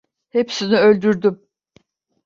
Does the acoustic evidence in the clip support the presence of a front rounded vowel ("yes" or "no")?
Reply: yes